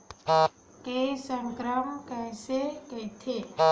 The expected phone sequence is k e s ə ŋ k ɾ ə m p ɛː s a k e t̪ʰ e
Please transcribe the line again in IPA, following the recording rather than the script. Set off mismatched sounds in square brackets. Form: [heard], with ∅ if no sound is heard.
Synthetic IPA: k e s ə ŋ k ɾ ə m [k] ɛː s [e] k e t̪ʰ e